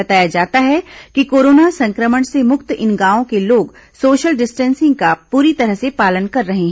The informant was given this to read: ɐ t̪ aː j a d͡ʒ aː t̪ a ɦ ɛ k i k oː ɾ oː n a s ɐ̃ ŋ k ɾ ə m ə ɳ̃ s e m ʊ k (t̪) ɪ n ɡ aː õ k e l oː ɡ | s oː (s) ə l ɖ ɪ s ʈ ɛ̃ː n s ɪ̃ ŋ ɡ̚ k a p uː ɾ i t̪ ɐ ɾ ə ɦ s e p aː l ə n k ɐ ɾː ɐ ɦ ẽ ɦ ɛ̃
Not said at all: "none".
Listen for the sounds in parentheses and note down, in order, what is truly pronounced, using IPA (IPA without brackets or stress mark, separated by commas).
t̪, ʃ